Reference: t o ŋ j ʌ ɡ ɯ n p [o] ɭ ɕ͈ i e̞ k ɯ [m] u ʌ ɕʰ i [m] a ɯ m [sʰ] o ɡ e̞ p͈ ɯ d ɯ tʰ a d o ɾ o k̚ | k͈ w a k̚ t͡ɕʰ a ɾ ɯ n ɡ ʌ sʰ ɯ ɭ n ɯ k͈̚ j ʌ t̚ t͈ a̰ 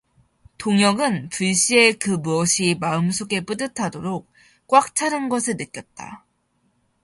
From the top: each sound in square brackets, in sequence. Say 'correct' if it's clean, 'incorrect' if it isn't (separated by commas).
incorrect, correct, correct, correct